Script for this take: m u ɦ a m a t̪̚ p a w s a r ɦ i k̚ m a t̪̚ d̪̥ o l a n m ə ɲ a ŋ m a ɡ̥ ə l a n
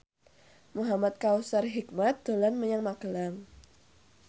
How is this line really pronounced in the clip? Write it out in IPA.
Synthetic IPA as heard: m u ɦ a m a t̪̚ k a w s a r ɦ i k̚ m a t̪̚ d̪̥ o l a n m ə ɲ a ŋ m a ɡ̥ ə l a ŋ

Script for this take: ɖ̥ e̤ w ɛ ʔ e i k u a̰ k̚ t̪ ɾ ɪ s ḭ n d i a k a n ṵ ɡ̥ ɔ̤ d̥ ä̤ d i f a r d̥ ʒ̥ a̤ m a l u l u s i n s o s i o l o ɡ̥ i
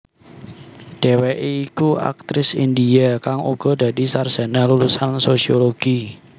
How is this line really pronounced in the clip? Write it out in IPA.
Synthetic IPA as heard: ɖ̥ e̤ w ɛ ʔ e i k u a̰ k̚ t̪ ɾ ɪ s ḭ n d i a k a ŋ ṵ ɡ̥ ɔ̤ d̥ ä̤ d i s a r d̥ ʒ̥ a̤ n a l u l u s a n s o s i o l o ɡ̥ i

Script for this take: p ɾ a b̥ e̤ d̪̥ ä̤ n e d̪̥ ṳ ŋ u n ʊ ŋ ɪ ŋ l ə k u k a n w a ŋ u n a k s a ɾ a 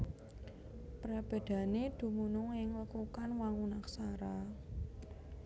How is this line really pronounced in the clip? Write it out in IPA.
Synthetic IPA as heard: p ɾ a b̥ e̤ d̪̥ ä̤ n e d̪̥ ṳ m u n ʊ ŋ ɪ ŋ l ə k u k a n w a ŋ u n a k s a ɾ a

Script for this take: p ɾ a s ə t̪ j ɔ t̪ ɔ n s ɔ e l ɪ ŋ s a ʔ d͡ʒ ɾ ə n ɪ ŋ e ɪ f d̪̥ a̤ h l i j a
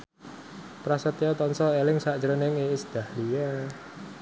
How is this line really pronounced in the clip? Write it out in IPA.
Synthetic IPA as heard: p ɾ a s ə t̪ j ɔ t̪ ɔ n s ɔ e l ɪ ŋ s a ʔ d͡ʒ ɾ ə n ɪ ŋ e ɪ s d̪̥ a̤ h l i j a

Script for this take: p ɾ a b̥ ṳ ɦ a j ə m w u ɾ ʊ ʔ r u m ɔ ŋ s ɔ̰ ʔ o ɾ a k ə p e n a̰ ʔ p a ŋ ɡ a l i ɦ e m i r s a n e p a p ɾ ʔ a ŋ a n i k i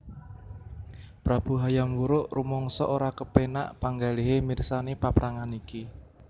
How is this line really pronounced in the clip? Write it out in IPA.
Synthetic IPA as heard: p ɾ a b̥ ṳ ɦ a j a m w u ɾ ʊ ʔ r u m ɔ ŋ s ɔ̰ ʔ o ɾ a k ə p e n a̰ ʔ p a ŋ ɡ a l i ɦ e m i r s a n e p a p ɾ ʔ a ŋ a n i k i

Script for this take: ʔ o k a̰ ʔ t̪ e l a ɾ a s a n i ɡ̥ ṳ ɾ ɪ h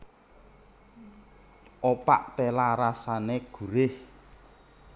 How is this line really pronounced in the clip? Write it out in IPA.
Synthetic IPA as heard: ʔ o p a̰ ʔ t̪ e l a ɾ a s a n e ɡ̥ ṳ ɾ ɪ h

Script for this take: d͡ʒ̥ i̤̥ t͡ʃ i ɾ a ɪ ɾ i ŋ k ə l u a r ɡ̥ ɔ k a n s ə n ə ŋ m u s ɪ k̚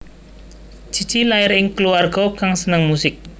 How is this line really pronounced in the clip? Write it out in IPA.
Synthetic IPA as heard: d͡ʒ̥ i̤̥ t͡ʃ i l a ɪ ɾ ɪ ŋ k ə l u a r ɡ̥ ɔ k a ŋ s ə n ə ŋ m u s ɪ k̚

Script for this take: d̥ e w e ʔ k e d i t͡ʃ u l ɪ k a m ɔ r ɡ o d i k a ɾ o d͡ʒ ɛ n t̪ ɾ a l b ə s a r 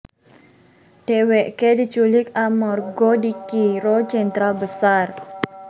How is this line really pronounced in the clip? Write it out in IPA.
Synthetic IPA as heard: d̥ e w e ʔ k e d i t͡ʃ u l ɪ k a m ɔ r ɡ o d i k i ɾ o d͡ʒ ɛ n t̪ ɾ a l b ə s a r

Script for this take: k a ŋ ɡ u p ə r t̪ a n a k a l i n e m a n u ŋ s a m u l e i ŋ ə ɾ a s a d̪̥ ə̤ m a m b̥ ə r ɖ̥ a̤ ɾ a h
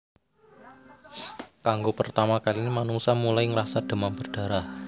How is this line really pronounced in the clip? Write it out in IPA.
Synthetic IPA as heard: k a ŋ ɡ o p ə r t̪ a m a k a l i n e m a n u ŋ s a m u l a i ŋ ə ɾ a s a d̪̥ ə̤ m a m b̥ ə r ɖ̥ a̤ ɾ a h

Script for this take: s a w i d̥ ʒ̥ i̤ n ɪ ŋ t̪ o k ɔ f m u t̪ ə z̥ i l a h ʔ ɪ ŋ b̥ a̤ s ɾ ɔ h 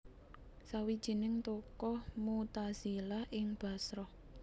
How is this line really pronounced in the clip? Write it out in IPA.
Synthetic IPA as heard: s a w i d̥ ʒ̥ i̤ n ɪ ŋ t̪ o k ɔ h m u t̪ a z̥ i l a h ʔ ɪ ŋ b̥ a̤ s ɾ ɔ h

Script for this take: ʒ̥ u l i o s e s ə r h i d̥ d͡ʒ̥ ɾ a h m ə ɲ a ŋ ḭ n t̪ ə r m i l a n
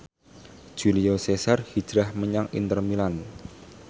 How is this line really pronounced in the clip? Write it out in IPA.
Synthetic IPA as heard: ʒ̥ u l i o s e s a r h i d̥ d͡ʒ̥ ɾ a h m ə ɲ a ŋ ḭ n t̪ ə r m i l a n

